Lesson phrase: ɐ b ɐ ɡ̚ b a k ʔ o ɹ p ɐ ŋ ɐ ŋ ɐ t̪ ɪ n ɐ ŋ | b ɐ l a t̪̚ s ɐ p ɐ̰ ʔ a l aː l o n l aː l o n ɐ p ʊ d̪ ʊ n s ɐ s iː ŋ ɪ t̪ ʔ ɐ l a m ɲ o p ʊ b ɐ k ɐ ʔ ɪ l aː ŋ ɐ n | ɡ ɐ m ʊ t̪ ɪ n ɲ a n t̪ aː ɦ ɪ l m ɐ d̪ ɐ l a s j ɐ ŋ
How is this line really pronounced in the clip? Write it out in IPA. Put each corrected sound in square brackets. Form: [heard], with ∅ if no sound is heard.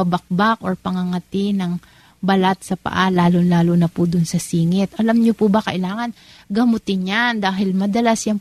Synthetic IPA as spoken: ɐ b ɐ [k̚] b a k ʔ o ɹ p ɐ ŋ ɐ ŋ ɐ t̪ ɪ n ɐ ŋ | b ɐ l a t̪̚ s ɐ p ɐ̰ ʔ a l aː l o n l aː l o n ɐ p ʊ d̪ ʊ n s ɐ s iː ŋ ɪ t̪ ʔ ɐ l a m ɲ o p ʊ b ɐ k ɐ ʔ ɪ l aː ŋ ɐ n | ɡ ɐ m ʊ t̪ ɪ n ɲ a n [d̪] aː ɦ ɪ l m ɐ d̪ ɐ l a s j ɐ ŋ